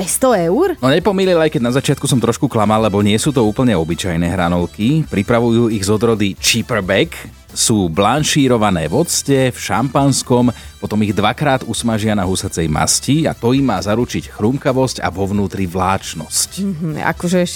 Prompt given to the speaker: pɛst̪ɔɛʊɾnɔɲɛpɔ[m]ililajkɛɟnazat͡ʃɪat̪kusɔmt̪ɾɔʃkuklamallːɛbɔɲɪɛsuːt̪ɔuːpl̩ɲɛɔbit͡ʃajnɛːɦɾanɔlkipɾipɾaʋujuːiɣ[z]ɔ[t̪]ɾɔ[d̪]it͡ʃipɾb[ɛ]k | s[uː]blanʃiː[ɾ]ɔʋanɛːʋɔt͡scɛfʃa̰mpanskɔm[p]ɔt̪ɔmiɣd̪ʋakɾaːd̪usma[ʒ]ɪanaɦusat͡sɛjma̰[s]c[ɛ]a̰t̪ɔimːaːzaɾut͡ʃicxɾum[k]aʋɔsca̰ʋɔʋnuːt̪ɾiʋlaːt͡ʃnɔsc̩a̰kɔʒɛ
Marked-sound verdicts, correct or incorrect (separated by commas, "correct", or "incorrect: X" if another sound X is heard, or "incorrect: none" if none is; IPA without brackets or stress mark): correct, correct, incorrect: d̪, correct, correct, correct, correct, correct, correct, correct, incorrect: i, correct